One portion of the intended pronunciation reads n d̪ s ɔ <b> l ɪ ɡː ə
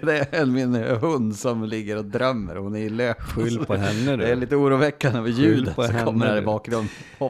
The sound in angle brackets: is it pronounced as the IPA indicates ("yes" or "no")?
no